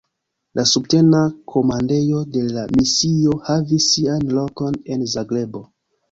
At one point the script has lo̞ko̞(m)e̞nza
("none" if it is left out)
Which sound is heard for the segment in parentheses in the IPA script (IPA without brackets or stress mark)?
n